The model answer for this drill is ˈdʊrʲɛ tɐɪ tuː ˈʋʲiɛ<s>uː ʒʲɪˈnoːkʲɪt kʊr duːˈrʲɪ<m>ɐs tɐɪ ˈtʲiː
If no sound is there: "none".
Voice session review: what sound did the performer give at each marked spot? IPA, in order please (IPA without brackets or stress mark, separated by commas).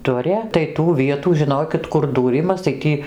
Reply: t, m